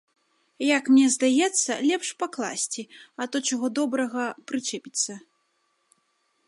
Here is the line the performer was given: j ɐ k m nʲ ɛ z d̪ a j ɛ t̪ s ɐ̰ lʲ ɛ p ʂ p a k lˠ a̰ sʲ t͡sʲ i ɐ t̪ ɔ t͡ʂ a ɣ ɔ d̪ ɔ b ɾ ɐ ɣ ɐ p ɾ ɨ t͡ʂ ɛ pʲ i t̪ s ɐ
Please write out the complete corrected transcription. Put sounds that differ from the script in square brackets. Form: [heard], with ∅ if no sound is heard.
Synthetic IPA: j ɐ k m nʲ ɛ z d̪ a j ɛ t̪ [sː] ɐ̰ lʲ ɛ p ʂ p a k lˠ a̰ sʲ t͡sʲ i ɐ t̪ ɔ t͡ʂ a ɣ ɔ d̪ ɔ b ɾ ɐ ɣ ɐ p ɾ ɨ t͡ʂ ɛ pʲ i t̪ s ɐ